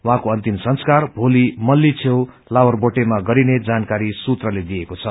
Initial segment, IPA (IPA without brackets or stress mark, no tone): w